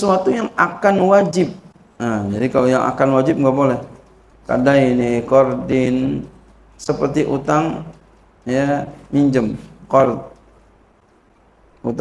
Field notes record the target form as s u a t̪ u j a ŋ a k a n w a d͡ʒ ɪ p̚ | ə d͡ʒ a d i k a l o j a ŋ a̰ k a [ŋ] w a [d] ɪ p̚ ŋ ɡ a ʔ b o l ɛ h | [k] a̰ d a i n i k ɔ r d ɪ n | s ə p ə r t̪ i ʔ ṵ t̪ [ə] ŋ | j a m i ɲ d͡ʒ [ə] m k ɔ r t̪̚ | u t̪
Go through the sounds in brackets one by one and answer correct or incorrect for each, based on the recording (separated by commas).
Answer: incorrect, incorrect, correct, incorrect, correct